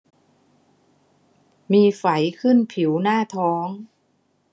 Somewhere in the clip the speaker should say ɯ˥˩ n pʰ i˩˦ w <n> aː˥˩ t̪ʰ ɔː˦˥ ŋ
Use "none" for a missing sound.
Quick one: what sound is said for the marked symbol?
n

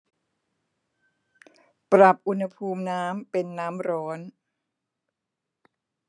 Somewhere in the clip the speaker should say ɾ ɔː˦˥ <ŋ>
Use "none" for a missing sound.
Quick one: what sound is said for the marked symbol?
n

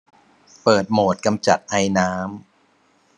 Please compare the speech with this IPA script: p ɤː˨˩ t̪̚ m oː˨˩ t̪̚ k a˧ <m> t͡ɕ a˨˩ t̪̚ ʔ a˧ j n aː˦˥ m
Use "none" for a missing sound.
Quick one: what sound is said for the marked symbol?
m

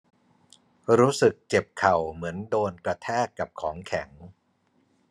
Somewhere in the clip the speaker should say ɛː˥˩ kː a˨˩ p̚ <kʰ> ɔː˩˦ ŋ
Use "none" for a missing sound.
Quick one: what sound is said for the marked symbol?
kʰ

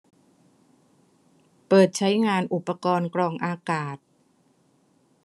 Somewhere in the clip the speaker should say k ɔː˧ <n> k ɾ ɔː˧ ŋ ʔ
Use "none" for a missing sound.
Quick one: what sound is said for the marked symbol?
n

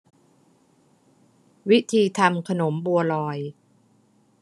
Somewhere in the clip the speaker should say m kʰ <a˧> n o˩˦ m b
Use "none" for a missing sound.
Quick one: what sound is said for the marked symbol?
a˧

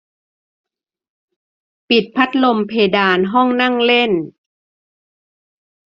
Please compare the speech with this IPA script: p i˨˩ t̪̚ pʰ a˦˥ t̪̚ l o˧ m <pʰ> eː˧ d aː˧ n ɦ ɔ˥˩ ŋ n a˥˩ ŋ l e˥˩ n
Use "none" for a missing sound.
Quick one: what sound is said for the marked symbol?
pʰ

